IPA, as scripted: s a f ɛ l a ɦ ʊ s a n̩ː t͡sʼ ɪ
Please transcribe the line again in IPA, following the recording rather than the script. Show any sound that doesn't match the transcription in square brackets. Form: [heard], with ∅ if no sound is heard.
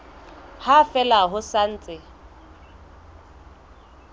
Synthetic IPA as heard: [h] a f ɛ l a ɦ ʊ s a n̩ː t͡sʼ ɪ